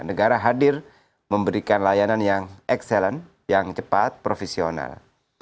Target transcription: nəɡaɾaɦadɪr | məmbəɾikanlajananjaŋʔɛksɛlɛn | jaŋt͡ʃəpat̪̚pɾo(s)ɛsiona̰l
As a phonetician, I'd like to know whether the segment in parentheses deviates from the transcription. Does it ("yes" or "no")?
yes